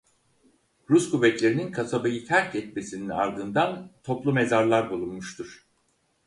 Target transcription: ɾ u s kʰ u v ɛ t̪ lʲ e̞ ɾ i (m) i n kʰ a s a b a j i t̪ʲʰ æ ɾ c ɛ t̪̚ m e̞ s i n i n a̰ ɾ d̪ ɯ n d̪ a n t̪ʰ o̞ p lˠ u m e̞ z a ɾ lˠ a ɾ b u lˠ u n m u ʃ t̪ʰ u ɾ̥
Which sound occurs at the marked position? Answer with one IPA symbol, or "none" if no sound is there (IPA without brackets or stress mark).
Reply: n